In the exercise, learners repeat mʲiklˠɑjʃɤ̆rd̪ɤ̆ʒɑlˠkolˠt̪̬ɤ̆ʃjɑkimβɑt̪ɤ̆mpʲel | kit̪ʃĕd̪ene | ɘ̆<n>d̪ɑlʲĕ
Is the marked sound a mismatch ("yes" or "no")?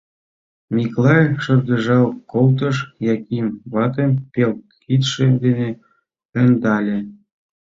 no